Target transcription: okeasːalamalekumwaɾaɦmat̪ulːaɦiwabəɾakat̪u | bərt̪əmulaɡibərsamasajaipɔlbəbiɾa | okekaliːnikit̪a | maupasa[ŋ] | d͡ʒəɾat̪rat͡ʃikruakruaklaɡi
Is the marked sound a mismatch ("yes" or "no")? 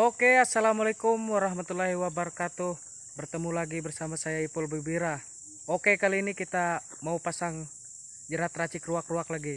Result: no